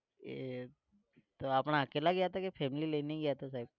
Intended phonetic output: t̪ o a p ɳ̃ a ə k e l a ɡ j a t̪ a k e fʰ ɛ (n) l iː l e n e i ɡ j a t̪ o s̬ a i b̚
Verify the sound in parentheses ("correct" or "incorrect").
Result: incorrect